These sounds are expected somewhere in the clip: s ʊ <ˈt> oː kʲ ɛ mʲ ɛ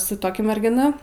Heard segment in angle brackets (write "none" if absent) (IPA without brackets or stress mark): t